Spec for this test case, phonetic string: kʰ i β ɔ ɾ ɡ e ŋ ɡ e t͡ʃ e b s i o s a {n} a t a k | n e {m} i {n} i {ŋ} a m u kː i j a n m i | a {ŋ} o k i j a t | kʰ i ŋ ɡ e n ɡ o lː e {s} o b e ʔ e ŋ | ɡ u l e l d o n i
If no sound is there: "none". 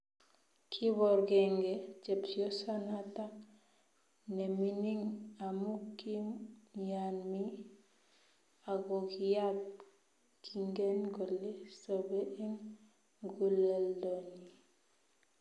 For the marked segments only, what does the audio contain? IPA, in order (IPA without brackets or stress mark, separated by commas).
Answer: n, m, n, ŋ, ɡ, s